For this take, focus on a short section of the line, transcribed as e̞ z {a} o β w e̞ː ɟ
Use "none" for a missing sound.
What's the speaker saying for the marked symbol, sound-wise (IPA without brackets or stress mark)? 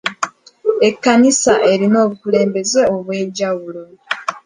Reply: e